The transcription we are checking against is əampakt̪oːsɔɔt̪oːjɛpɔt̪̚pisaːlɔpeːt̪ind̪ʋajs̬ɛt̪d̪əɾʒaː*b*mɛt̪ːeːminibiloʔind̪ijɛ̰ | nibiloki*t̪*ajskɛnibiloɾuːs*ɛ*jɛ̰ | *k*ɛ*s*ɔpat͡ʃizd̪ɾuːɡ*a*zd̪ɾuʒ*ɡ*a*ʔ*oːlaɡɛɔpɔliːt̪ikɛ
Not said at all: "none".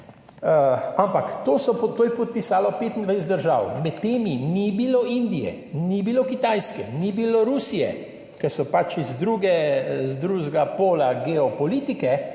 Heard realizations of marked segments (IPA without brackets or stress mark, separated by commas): w, t̪, i, k, s, ɛ, ɡ, p